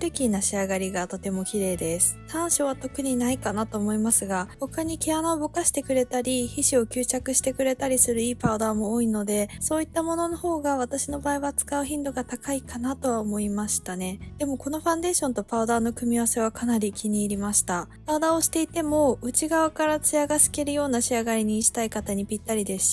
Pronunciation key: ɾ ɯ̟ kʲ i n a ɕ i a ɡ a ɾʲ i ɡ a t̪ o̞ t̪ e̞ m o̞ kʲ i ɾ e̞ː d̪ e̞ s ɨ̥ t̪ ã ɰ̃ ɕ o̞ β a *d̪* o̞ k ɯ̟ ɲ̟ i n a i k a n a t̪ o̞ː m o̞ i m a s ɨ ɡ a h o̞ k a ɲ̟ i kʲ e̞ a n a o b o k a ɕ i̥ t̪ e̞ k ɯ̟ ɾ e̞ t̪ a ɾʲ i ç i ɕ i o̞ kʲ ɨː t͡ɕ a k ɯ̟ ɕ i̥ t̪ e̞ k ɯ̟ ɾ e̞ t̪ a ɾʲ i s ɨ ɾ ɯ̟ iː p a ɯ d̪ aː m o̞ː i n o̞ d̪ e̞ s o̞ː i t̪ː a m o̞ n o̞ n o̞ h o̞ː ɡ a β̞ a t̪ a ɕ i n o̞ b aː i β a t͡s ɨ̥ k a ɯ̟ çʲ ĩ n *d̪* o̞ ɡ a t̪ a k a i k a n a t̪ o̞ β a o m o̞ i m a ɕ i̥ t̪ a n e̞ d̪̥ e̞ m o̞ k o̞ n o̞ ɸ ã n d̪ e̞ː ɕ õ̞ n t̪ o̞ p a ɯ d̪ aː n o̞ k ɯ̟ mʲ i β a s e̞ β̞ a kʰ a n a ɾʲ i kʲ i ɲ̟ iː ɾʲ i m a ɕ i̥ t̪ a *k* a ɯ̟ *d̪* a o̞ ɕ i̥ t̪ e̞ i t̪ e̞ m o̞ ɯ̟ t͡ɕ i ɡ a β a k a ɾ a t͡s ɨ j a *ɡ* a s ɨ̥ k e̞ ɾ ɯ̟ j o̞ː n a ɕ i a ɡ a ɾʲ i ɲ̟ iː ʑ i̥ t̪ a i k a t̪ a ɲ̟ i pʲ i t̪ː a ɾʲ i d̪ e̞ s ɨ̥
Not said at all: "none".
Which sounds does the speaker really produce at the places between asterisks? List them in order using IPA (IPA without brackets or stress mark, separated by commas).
t̪, d̪, p, d̪, ɡ